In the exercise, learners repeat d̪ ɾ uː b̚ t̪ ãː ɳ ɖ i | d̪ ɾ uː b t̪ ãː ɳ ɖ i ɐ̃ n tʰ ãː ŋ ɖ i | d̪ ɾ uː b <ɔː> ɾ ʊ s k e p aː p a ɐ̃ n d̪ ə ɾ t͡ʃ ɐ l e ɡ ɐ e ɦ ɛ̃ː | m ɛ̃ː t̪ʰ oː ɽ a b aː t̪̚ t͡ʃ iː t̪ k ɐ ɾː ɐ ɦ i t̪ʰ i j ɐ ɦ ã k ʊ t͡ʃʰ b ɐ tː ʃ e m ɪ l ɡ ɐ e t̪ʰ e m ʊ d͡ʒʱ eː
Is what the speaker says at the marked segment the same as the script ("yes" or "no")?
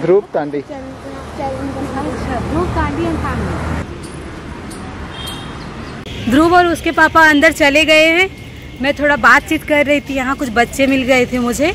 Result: yes